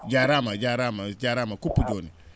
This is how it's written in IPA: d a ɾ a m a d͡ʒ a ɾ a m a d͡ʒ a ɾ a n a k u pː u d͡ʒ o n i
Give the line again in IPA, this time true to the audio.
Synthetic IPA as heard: d͡ʒ a ɾ a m a d͡ʒ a ɾ a m a d͡ʒ a ɾ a m a k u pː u d͡ʒ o n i

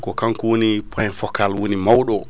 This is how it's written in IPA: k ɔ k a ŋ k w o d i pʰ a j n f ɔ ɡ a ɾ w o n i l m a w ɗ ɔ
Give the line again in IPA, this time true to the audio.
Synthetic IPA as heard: k ɔ k a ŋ k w o n i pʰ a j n f ɔ k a l w o n i m a w ɗ ɔ

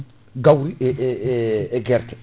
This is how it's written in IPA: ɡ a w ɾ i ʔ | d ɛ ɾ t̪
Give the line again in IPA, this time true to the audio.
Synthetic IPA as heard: ɡ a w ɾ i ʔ | ɡ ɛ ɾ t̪

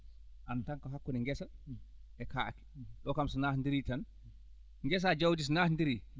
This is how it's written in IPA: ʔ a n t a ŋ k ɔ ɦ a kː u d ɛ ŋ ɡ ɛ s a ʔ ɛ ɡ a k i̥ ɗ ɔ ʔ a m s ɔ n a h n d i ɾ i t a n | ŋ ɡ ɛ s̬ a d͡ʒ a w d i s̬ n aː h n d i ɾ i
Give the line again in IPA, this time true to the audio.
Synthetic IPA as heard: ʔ a n t a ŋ k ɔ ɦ a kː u n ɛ ŋ ɡ ɛ s a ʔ ɛ k a k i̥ ɗ ɔ k a m s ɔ n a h n d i ɾ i t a n | ŋ ɡ ɛ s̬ a d͡ʒ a w d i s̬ n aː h n d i ɾ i

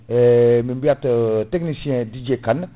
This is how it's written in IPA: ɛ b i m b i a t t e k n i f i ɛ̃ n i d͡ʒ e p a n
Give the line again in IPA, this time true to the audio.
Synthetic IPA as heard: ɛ m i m b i a t t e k n i s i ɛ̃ d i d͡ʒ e k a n

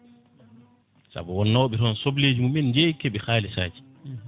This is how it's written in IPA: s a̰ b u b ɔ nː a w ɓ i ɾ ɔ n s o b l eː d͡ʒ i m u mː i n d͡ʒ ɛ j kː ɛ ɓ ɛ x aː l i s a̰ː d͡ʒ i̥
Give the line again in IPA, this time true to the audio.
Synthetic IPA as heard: s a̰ b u w ɔ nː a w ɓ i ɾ ɔ n s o b l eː d͡ʒ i m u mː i n d͡ʒ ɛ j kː ɛ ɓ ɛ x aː l i s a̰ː d͡ʒ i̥

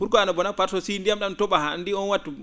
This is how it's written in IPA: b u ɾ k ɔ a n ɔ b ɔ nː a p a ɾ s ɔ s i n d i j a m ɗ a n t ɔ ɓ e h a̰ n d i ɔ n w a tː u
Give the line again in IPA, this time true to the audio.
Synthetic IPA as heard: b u ɾ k ɔ a n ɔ b ɔ n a p a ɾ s ɔ s i n d i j a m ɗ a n t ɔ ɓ a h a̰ n d i ɔ n w a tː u

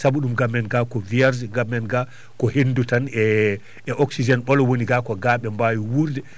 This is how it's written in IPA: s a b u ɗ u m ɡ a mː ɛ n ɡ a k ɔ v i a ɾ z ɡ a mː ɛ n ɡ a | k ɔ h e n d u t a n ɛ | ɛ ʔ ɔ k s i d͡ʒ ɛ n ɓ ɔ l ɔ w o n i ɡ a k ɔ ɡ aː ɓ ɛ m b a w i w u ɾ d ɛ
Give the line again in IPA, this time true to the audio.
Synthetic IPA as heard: s a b u ɗ u m ɡ a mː ɛ n ɡ a k ɔ v i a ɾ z ɡ a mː ɛ n ɡ a | k ɔ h e n d u t a n ɛ | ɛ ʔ ɔ k s i d͡ʒ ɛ n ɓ ɔ l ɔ w o n i ɡ a k ɔ ɡ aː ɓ ɛ m b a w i w u ɾ d ɛ

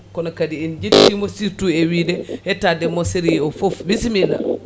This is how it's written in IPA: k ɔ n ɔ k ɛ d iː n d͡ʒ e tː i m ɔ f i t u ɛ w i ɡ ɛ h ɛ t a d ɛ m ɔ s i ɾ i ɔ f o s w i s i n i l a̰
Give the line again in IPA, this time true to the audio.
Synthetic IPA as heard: k ɔ n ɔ k a d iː n d͡ʒ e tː i m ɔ s i t u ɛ w i d ɛ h ɛ t a d ɛ m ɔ s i ɾ i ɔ f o f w i s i m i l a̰

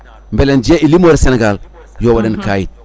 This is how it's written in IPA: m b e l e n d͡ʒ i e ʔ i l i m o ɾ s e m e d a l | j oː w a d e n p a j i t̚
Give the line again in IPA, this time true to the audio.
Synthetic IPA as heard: m b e l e n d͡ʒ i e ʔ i l i m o ɾ s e n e ɡ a l | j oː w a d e n k a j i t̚

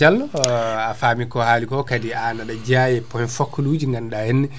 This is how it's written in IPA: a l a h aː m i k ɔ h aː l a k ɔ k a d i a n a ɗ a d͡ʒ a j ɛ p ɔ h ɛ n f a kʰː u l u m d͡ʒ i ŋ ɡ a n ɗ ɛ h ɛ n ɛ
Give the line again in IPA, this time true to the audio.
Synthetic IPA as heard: a l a f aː m i k ɔ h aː l i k ɔ k a d i a n a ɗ a d͡ʒ a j ɛ p ɔ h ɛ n f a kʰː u l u d͡ʒ i ŋ ɡ a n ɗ a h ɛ n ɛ

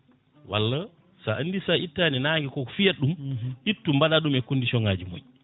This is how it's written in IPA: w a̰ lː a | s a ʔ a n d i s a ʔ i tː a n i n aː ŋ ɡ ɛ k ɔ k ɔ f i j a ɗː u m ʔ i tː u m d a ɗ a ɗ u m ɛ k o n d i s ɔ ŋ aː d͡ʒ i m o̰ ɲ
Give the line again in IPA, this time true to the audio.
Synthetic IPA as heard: w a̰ lː a | s a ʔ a n d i s a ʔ i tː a n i n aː ŋ ɡ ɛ k ɔ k ɔ f i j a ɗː u m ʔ i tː u m b a ɗ a ɗ u m ɛ k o n d i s ɔ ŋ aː d͡ʒ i m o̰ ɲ

